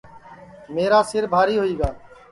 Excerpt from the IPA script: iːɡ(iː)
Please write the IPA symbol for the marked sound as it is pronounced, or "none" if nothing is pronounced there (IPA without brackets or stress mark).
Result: aː